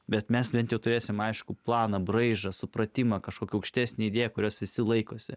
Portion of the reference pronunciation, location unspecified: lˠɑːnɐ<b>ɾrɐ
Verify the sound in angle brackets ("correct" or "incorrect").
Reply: correct